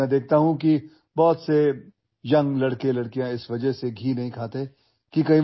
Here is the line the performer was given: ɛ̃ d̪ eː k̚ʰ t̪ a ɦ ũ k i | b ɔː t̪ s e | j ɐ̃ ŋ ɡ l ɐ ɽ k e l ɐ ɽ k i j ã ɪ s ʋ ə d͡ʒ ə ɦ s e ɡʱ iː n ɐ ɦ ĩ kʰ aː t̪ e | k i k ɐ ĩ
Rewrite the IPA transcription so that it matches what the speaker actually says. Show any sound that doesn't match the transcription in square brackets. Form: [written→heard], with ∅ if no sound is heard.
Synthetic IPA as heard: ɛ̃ d̪ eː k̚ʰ t̪ a ɦ ũ k i | b ɔː t̪ s e | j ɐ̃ ŋ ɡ l ɐ ɽ k e l ɐ ɽ k i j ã ɪ s ʋ [ə→ɐ] d͡ʒ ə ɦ s e ɡʱ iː n ɐ ɦ ĩ kʰ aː t̪ e | k i k ɐ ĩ